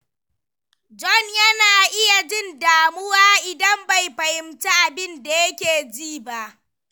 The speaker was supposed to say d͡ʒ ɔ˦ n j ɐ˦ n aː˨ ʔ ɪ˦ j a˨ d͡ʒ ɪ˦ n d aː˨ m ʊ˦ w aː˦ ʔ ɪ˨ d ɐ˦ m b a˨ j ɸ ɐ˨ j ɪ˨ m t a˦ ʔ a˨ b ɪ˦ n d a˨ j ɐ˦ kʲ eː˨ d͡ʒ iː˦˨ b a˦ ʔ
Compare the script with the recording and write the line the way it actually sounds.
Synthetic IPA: d͡ʒ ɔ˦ n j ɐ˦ n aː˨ ʔ ɪ˦ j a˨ d͡ʒ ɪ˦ n d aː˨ m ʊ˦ w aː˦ ʔ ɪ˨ d ɐ˦ m b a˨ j ɸ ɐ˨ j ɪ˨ m t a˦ ʔ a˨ b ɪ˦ n d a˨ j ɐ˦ kʲ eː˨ d͡ʒ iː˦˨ b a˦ ʔ